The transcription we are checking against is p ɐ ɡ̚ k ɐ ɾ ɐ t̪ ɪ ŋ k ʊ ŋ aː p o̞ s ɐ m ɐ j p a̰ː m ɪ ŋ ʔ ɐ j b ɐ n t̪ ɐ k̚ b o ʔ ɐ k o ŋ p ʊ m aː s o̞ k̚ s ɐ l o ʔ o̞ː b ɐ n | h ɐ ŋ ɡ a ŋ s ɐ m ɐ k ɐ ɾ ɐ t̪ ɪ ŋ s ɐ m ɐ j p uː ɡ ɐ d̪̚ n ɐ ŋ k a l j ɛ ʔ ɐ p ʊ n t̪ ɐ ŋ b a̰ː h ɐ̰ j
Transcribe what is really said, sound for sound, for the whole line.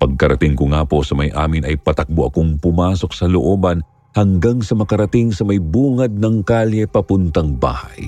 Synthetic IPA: p ɐ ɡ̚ k ɐ ɾ ɐ t̪ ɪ ŋ k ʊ ŋ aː p o̞ s ɐ m ɐ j ʔ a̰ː m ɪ n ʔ ɐ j p ɐ t̪ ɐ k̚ b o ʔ ɐ k o ŋ p ʊ m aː s o̞ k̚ s ɐ l o ʔ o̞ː b ɐ n | h ɐ ŋ ɡ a ŋ s ɐ m ɐ k ɐ ɾ ɐ t̪ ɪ ŋ s ɐ m ɐ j b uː ŋ ɐ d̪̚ n ɐ ŋ k a l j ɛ p ɐ p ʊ n t̪ ɐ ŋ b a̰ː h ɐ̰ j